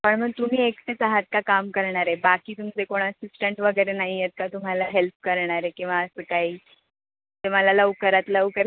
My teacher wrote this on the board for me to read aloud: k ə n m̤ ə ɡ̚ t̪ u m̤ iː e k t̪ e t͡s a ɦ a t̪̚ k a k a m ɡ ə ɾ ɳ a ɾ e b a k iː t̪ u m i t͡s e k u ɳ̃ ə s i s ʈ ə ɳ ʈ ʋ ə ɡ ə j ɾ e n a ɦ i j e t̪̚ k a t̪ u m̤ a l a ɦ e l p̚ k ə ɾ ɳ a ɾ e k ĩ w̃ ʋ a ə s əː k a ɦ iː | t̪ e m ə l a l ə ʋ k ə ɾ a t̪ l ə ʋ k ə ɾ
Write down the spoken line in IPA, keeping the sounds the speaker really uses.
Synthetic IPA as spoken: p ə ɳ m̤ ə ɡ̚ t̪ u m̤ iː e k t̪ e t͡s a ɦ a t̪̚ k a k a m k ə ɾ ɳ a ɾ e b a k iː t̪ u m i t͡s e k o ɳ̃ ə s i s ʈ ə ɳ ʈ ʋ ə ɡ ə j ɾ e n a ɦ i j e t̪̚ k a t̪ u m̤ a l a ɦ e l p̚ k ə ɾ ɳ a ɾ e k ĩ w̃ ʋ a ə s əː k a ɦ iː | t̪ e m ə l a l ə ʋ k ə ɾ a t̪ l ə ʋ k ə ɾ